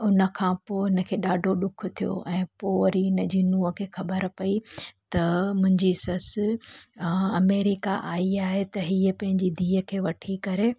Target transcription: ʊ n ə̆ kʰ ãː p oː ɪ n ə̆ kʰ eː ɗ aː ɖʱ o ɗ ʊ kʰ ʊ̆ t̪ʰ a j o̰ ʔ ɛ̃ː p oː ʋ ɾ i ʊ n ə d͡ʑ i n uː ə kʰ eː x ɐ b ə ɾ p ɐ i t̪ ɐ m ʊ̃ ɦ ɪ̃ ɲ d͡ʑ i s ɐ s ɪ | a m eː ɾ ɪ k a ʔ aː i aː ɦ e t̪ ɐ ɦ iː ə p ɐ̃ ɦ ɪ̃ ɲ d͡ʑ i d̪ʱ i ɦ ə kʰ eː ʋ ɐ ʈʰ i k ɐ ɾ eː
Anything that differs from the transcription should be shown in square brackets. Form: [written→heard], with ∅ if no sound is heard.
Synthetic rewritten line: ʊ n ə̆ kʰ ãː p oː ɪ n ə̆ kʰ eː ɗ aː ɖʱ o ɗ ʊ kʰ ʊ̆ t̪ʰ [a→i] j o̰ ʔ ɛ̃ː p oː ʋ ɾ i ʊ n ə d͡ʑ i n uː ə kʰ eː x ɐ b ə ɾ p ɐ i t̪ ɐ m ʊ̃ ɦ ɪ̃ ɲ d͡ʑ i s ɐ s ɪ | [a→ɐ] m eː ɾ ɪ k a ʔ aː i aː ɦ e t̪ ɐ ɦ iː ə p ɐ̃ ɦ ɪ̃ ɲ d͡ʑ i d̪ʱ [i→iː] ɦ ə kʰ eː ʋ ɐ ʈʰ i k ɐ ɾ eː